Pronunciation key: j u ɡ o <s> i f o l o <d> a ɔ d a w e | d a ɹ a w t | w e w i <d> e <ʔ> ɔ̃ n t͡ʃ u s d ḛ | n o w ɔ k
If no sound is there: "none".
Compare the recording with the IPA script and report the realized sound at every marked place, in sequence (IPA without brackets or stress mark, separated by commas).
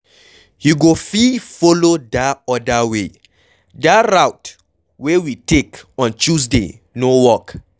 f, d, t, k